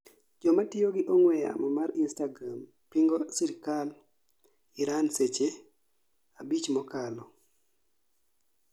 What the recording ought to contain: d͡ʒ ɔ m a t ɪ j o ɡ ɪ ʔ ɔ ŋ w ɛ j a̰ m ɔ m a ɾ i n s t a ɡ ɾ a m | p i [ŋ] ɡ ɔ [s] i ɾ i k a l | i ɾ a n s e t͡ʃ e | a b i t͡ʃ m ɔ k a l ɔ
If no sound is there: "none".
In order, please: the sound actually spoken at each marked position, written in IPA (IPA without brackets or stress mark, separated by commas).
ŋ, s